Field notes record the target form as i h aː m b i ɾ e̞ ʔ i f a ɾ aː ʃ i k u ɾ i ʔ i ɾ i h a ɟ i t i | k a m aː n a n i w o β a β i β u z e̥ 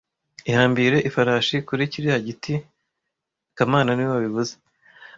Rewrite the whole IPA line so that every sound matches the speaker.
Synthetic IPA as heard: i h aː m b i ɾ e̞ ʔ i f a ɾ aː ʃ i k u ɾ i c i ɾ i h a ɟ i t i | k a m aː n a n i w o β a β i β u z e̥

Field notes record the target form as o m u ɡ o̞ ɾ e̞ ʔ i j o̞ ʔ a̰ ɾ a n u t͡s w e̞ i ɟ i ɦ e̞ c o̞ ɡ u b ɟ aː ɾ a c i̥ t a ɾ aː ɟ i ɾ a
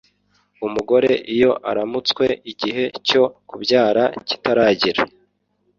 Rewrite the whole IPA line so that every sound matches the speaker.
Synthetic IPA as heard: u m u ɡ o̞ ɾ e̞ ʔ i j o̞ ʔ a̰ ɾ a m u t͡s w e̞ i ɟ i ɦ e̞ c o̞ k u b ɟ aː ɾ a c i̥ t a ɾ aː ɟ i ɾ a

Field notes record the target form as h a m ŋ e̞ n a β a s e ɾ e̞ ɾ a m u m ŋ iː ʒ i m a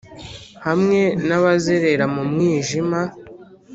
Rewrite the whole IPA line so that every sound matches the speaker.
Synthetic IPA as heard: h a m ŋ e̞ n a β a z e ɾ e̞ ɾ a m u m ŋ iː ʒ i m a

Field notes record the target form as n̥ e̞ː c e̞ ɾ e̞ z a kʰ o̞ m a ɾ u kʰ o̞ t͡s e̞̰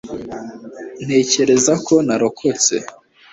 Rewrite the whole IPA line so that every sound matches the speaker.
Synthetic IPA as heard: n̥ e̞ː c e̞ ɾ e̞ z a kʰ o̞ n a ɾ o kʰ o̞ t͡s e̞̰

